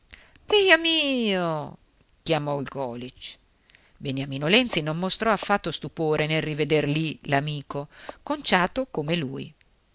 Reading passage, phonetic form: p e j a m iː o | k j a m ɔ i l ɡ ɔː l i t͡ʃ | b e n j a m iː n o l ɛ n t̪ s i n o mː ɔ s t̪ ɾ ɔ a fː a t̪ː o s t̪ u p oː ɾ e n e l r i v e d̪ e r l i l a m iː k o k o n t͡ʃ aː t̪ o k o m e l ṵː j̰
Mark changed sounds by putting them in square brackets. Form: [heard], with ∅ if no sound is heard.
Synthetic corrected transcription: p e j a m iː o | k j a m ɔ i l ɡ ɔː l i t͡ʃ | b e n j a m iː n o l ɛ n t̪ s i n o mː [o] s t̪ ɾ ɔ a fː a t̪ː o s t̪ u p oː ɾ e n e l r i v e d̪ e r l i l a m iː k o k o n t͡ʃ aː t̪ o k o m e l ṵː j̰